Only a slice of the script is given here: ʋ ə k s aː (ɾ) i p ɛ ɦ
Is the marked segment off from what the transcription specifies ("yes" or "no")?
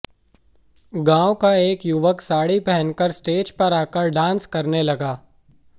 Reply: yes